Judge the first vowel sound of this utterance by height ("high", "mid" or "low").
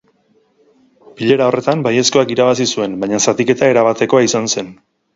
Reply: high